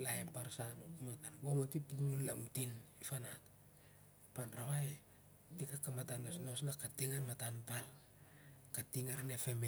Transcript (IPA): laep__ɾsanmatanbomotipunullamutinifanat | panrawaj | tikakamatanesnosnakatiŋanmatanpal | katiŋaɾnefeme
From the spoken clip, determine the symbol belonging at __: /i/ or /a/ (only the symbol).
a